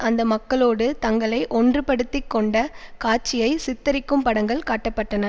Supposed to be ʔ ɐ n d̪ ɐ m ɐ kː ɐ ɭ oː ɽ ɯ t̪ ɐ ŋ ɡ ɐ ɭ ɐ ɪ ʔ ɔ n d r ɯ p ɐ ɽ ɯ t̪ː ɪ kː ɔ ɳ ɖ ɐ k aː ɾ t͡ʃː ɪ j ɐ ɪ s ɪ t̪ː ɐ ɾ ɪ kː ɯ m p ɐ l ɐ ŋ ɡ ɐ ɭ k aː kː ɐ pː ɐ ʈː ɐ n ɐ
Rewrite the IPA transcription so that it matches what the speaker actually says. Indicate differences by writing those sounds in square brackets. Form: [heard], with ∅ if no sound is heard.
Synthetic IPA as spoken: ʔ ɐ n d̪ ɐ m ɐ kː ɐ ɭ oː ɽ ɯ t̪ ɐ ŋ ɡ ɐ ɭ ɐ ɪ ʔ ɔ n d r ɯ p ɐ ɽ ɯ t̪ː ɪ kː ɔ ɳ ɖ ɐ k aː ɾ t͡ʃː ɪ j ɐ ɪ s ɪ t̪ː ɐ ɾ ɪ kː ɯ m p ɐ [ɽ] ɐ ŋ ɡ ɐ ɭ k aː [ʈː] ɐ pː ɐ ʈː ɐ n ɐ